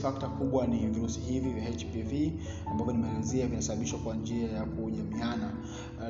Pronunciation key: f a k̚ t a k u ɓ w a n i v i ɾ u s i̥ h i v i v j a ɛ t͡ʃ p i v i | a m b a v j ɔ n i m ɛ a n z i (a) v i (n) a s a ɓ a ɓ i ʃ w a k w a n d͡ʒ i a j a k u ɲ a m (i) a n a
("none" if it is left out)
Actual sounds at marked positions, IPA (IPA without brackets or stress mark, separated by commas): a, n, i